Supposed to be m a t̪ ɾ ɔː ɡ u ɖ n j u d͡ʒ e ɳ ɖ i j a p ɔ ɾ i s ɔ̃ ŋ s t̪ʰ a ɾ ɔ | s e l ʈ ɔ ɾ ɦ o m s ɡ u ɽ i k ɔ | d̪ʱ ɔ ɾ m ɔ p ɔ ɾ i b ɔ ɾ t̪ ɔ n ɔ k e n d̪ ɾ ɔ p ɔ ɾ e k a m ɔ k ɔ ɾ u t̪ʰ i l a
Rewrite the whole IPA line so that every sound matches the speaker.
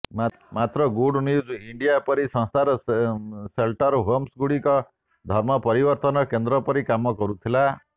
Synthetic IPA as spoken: m a t̪ ɾ ɔ ɡ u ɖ n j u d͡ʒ i ɳ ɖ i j a p ɔ ɾ i s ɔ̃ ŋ s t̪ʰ a ɾ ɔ | s e l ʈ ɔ ɾ ɦ o m s ɡ u ɽ i k ɔ | d̪ʱ ɔ ɾ m ɔ p ɔ ɾ i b ɔ ɾ t̪ ɔ n ɔ k e n d̪ ɾ ɔ p ɔ ɾ i k a m ɔ k ɔ ɾ u t̪ʰ i l a